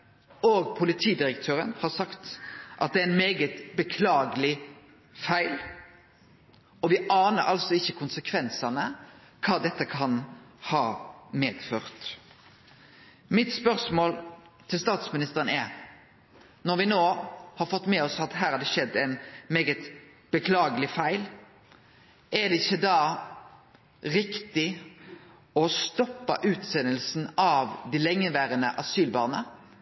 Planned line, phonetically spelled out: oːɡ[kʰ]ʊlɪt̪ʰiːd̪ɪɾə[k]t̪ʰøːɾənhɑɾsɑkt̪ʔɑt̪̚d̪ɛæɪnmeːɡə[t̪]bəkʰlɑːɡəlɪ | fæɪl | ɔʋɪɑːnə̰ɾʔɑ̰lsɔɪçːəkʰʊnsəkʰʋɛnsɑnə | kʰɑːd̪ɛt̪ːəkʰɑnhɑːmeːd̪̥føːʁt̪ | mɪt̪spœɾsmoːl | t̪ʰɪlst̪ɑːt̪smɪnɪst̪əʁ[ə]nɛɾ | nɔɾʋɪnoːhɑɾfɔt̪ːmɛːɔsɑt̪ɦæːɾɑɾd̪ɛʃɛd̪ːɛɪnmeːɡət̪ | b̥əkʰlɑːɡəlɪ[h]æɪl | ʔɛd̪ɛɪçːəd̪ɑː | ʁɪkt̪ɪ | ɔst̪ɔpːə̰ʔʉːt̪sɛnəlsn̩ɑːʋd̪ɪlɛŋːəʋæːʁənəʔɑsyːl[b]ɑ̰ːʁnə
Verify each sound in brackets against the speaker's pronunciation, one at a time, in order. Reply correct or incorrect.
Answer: incorrect: pʰ, correct, correct, correct, incorrect: f, correct

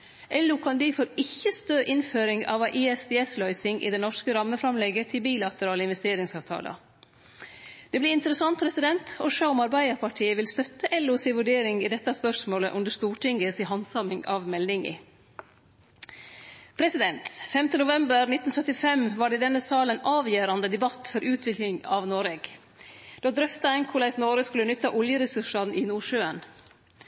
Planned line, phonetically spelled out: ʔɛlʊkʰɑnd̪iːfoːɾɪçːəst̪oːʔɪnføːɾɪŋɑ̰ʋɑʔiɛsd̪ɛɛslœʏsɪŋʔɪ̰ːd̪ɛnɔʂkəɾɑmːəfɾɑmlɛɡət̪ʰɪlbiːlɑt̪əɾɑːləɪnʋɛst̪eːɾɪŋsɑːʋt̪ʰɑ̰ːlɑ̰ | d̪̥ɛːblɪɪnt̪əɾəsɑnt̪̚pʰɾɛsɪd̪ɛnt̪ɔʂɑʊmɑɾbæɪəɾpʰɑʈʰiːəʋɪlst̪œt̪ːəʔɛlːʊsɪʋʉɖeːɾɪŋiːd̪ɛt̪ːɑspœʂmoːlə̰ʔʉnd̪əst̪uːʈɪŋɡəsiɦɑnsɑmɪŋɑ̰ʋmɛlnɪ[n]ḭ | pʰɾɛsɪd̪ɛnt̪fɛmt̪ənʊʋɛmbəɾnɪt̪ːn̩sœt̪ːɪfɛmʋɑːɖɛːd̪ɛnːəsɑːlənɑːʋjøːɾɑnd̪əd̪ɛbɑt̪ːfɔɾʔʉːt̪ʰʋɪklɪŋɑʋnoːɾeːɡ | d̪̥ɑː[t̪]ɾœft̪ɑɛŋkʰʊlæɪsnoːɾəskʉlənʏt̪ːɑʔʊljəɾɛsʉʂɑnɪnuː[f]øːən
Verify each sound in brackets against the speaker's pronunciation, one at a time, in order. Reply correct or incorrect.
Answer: incorrect: ŋ, incorrect: d̪, incorrect: ʂ

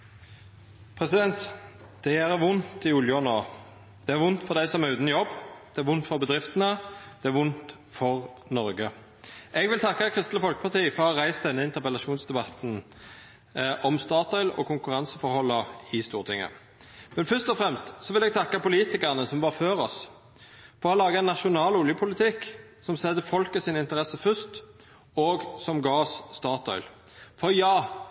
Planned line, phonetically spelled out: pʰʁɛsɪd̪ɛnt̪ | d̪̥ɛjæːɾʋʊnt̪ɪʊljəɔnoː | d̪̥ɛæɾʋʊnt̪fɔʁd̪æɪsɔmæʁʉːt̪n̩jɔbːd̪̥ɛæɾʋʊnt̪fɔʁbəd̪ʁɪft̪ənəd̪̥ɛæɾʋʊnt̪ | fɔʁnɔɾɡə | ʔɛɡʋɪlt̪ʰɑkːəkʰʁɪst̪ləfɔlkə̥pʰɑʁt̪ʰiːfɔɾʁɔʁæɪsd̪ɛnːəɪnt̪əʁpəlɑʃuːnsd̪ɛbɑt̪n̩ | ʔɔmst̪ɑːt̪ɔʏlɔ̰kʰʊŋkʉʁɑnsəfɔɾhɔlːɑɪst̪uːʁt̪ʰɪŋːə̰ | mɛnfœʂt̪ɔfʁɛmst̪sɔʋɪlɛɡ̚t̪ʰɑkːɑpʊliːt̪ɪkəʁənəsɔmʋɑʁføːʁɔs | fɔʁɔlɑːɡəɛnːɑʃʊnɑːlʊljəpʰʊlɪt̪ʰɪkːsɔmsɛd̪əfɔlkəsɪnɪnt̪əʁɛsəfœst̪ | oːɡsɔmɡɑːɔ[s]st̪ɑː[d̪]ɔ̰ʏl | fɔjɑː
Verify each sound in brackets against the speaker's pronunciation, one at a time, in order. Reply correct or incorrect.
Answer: correct, incorrect: t̪

